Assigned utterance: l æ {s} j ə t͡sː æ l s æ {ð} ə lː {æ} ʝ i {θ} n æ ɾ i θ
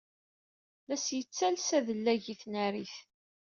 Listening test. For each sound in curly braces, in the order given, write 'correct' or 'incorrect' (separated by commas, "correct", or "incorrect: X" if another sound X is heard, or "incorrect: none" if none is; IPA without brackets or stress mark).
correct, correct, correct, correct